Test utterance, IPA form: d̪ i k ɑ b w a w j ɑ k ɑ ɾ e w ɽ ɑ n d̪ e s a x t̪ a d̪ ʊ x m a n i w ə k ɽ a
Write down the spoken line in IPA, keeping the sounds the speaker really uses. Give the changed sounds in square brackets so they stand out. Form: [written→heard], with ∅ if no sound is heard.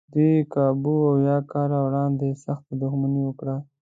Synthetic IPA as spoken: d̪ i k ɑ b [w→u] a w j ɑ k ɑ ɾ [e→a] w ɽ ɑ n d̪ e s a x t̪ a d̪ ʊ x m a n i w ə k ɽ a